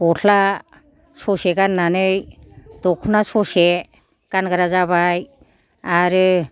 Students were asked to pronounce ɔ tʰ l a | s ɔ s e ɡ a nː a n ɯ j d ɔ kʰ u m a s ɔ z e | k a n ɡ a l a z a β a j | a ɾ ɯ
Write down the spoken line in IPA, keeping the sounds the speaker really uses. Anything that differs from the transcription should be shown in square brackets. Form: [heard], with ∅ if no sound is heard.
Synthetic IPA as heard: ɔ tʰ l a | s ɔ s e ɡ a nː a n ɯ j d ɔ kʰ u [n] a s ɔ [s] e | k a n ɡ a [ɾ] a z a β a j | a ɾ ɯ